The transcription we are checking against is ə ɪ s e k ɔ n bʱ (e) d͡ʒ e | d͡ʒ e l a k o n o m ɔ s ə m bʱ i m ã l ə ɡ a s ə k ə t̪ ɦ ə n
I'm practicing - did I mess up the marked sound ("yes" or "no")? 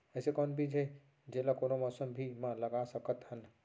yes